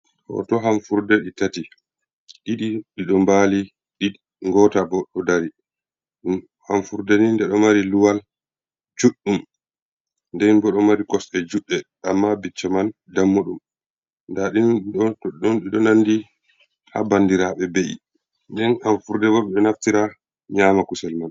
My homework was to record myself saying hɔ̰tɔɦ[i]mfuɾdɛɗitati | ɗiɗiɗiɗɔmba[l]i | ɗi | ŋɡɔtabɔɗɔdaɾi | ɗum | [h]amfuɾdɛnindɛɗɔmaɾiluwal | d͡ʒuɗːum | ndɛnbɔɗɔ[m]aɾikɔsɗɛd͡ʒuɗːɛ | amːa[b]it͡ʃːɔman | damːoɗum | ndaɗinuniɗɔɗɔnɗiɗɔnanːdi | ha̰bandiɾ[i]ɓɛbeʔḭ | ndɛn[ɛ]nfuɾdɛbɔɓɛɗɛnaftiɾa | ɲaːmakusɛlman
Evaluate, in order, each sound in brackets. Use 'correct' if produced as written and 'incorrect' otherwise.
incorrect, correct, correct, correct, correct, incorrect, incorrect

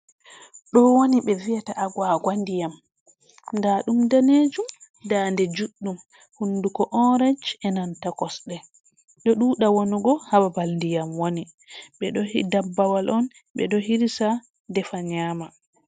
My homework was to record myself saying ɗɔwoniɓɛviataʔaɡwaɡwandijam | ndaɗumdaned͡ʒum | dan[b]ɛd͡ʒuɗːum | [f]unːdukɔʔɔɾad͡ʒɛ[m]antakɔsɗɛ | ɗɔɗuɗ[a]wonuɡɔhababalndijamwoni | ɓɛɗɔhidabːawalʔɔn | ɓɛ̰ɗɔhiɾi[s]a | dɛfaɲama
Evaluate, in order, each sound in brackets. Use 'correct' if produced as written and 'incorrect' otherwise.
incorrect, incorrect, incorrect, correct, correct

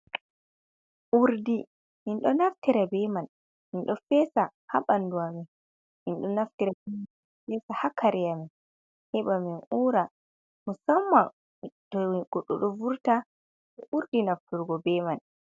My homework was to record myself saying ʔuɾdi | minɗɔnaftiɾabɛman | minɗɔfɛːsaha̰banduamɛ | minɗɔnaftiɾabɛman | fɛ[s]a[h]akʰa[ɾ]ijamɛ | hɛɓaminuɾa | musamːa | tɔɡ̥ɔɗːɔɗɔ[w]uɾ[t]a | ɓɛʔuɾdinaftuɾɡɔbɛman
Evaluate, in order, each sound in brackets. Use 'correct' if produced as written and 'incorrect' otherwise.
correct, correct, correct, incorrect, correct

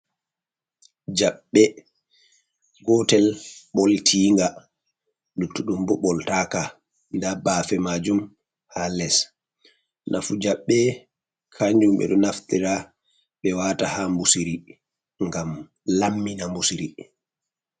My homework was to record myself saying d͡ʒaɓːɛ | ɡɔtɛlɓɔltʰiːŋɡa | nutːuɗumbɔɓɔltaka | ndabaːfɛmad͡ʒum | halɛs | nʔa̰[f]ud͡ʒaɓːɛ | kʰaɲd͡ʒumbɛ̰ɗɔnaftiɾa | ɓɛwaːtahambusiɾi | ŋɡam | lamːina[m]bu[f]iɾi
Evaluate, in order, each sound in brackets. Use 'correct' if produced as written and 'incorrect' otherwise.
correct, correct, incorrect

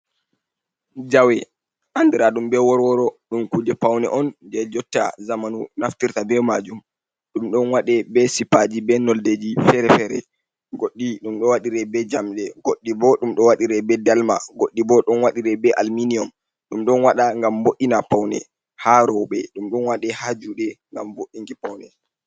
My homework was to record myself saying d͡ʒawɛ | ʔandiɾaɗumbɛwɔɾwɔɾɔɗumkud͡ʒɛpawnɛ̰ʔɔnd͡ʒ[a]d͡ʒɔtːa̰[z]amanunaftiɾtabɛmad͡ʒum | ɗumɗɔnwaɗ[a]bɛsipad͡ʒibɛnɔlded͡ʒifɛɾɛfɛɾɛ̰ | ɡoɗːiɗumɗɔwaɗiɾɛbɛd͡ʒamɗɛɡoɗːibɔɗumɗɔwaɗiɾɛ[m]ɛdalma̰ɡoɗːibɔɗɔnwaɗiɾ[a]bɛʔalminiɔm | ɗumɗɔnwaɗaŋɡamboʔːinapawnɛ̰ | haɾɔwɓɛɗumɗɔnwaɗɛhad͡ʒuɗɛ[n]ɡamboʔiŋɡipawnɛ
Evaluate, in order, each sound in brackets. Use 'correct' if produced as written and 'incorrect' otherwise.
incorrect, correct, incorrect, incorrect, incorrect, incorrect

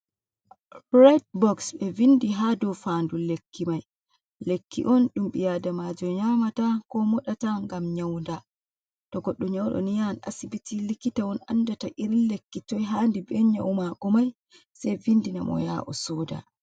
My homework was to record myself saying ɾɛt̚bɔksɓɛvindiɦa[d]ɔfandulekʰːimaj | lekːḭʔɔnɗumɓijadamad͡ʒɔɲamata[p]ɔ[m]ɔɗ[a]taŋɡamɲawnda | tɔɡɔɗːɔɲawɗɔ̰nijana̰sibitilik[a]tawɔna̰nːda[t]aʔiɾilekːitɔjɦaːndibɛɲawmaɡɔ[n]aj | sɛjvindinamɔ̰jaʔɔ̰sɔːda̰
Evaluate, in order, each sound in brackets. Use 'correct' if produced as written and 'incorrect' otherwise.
correct, incorrect, correct, correct, incorrect, correct, incorrect

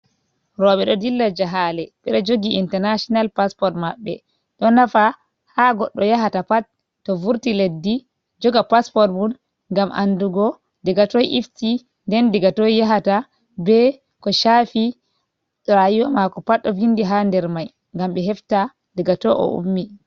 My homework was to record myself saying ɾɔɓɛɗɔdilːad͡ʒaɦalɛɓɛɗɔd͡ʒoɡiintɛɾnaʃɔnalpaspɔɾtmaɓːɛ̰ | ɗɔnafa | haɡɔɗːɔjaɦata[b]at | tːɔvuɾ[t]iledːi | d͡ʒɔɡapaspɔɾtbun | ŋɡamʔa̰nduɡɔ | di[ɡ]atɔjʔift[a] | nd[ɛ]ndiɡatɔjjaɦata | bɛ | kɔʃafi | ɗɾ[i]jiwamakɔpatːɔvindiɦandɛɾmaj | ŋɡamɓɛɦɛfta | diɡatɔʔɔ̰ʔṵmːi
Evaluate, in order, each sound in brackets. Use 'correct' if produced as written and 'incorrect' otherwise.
incorrect, correct, correct, incorrect, correct, incorrect

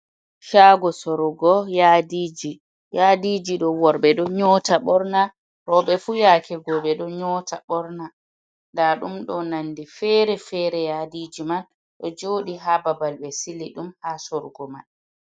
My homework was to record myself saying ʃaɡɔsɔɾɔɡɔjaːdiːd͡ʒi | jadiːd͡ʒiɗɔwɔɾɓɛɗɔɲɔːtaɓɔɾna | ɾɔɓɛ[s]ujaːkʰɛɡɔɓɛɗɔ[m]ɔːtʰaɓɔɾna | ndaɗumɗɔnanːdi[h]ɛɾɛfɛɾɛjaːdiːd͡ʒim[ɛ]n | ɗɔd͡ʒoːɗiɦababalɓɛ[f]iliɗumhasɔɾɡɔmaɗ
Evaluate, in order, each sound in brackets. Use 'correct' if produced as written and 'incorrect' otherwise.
incorrect, incorrect, incorrect, incorrect, incorrect

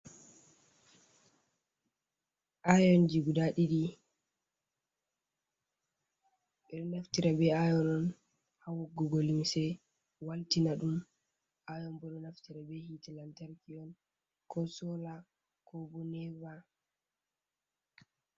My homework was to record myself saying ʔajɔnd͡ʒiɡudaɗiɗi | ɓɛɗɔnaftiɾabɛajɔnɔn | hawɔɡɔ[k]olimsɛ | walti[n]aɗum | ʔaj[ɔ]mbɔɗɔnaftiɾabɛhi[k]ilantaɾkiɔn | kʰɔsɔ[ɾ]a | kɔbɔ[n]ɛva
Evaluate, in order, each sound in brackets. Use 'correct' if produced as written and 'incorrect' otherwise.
incorrect, correct, correct, incorrect, incorrect, correct

